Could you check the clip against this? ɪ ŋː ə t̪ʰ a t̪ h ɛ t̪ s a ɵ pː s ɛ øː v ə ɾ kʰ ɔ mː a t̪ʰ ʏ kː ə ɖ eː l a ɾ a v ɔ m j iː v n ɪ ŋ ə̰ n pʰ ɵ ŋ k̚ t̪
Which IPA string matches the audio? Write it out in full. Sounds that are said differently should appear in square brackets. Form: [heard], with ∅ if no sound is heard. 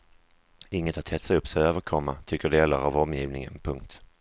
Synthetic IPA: ɪ ŋː ə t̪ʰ a t̪ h ɛ t̪ s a ɵ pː s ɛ øː v ə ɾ kʰ ɔ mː a t̪ʰ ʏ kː ə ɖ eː l a ɾ a v ɔ m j iː v n ɪ ŋ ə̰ n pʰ ɵ ŋ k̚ t̪